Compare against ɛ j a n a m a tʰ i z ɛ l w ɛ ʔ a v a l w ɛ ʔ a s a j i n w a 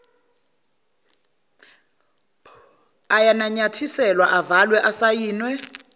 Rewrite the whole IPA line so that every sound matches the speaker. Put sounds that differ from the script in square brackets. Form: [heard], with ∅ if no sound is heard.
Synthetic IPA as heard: [a] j a n a [ɲ] a tʰ i [s] ɛ l w [a] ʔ a v a l w ɛ ʔ a s a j [iː] n w [ɛ]

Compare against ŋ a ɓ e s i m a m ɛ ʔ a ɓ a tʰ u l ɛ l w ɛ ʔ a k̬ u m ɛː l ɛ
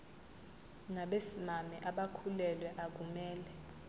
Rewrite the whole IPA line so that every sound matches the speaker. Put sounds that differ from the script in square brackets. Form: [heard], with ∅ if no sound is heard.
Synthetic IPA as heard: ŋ a ɓ e s i m a m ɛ ʔ a ɓ a [kʰ] u l ɛ l w ɛ ʔ a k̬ u m ɛː l ɛ

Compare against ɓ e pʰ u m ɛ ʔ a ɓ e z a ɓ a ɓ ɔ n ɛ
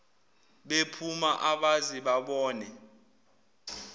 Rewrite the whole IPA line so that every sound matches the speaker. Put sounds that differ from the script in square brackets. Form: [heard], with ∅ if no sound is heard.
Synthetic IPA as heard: ɓ e pʰ u m [a] ʔ a ɓ [a] z [i] ɓ a ɓ [ɔː] n ɛ

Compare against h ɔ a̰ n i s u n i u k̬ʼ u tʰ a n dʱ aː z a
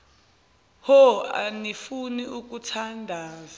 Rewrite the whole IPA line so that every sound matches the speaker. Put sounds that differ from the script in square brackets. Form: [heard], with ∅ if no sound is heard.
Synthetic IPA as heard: h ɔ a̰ n i [f] u n i u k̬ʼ u tʰ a n dʱ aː z a

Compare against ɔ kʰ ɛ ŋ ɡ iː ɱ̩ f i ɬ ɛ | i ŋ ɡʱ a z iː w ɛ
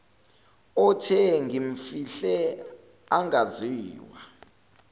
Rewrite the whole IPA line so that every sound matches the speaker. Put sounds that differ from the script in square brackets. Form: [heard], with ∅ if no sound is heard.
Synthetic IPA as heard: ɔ [tʰ] ɛ ŋ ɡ [i] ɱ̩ f i ɬ ɛ | [a] ŋ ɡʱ a z iː w [a]

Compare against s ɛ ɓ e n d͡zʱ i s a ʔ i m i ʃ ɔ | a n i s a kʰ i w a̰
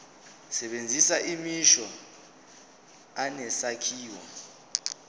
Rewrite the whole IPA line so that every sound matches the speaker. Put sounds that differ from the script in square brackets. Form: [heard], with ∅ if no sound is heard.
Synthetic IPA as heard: s ɛ ɓ e n d͡zʱ i s a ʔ i m i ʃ ɔ | a n [ɛ] s a kʰ [iː] w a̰

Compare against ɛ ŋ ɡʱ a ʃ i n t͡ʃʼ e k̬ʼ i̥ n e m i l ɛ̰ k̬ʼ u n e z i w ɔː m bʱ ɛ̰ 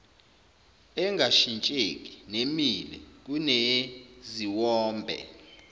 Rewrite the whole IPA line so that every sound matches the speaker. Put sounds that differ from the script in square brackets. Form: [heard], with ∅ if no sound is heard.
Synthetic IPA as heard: ɛ ŋ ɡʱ a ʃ i n t͡ʃʼ e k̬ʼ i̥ n e m i l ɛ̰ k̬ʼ u n e z i w ɔː m bʱ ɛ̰

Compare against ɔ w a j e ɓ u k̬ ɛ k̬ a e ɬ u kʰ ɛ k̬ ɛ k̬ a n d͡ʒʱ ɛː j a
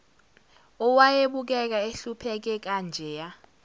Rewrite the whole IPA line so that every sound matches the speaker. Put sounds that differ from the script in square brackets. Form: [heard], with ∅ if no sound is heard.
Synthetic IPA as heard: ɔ w a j e ɓ u k̬ ɛ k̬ a e ɬ u [pʰ] ɛ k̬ ɛ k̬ a n d͡ʒʱ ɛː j a

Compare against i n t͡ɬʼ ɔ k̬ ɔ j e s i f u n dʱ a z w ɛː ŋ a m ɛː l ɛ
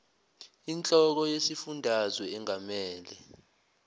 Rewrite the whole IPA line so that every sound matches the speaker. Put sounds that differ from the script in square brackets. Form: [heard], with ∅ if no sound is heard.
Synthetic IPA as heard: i n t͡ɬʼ ɔ k̬ ɔ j e s i f u n dʱ a z w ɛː ŋ a m ɛː l ɛ

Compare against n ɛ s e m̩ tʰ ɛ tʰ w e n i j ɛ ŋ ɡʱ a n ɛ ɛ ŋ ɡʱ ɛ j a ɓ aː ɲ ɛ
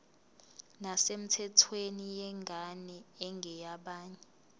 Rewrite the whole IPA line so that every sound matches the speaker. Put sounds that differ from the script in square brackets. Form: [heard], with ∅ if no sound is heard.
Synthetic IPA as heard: n [a] s e m̩ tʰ ɛ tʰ w e n i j ɛ ŋ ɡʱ a n ɛ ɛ ŋ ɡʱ ɛ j a ɓ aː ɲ ɛ

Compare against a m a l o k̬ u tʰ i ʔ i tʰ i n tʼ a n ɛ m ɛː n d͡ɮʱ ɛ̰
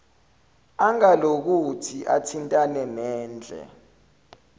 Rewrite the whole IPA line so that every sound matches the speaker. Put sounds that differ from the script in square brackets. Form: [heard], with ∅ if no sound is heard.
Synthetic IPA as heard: a [ŋ] a l o k̬ u tʰ i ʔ [a] tʰ i n tʼ a n ɛ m ɛː n d͡ɮʱ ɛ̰

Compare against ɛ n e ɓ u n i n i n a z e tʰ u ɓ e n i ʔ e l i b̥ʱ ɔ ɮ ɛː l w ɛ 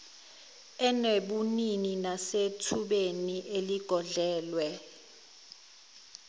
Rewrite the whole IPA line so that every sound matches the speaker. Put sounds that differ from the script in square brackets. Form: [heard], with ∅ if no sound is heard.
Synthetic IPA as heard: ɛ n e ɓ u n i n i n a [s] e tʰ u ɓ e n i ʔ e l i [ɡ̥ʱ] ɔ ɮ ɛː l w ɛ

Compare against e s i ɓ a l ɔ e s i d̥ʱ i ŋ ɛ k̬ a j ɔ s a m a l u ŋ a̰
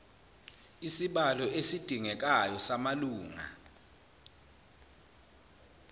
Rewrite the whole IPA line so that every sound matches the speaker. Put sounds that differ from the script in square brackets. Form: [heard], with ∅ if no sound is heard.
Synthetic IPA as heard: [i] s i ɓ a l ɔ e s i d̥ʱ i ŋ ɛ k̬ a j ɔ s a m a l [uː] ŋ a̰

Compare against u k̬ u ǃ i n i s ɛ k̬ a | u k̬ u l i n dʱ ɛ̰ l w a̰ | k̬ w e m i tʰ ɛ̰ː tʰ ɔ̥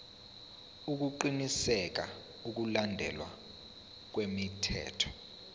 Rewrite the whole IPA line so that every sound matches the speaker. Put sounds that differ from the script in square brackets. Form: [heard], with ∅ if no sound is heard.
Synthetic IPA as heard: u k̬ u ǃ i n i s ɛ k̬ a | u k̬ u l [a] n dʱ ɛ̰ l w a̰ | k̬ w e m i tʰ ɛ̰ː tʰ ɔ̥

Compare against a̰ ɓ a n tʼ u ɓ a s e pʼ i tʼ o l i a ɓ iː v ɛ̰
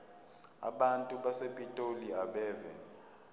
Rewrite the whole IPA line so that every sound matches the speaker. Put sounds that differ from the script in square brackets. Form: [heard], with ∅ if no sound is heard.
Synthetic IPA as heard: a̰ ɓ a n tʼ u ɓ a s e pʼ i tʼ o l i a ɓ [ɛː] v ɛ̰

